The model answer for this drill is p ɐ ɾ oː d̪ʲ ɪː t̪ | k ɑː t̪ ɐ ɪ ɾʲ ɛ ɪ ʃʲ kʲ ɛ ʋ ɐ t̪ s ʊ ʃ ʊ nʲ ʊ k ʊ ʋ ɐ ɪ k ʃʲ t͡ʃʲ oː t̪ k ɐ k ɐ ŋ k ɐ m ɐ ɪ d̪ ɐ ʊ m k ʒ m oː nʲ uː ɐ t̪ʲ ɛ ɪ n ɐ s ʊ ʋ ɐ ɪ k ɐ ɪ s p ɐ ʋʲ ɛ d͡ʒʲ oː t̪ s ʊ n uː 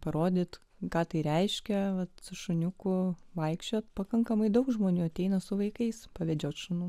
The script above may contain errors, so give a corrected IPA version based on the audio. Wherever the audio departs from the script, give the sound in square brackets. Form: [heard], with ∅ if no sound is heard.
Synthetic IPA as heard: p ɐ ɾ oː d̪ʲ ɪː t̪ | k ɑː t̪ ɐ ɪ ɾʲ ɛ ɪ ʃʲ kʲ ɛ ʋ ɐ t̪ s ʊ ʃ ʊ nʲ ʊ k ʊ ʋ ɐ ɪ k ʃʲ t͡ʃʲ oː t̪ [p] ɐ k ɐ ŋ k ɐ m ɐ ɪ d̪ ɐ ʊ [∅] k ʒ m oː nʲ uː ɐ t̪ʲ ɛ ɪ n ɐ s ʊ ʋ ɐ ɪ k ɐ ɪ s p ɐ ʋʲ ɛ d͡ʒʲ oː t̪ [ʃ] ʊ n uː